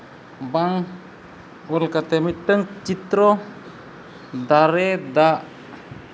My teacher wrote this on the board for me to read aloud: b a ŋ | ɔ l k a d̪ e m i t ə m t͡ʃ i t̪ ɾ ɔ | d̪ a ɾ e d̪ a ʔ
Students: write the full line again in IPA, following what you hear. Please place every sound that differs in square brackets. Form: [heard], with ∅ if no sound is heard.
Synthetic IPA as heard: b a ŋ | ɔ l k a [t̪] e m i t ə [ŋ] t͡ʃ i t̪ ɾ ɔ | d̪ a ɾ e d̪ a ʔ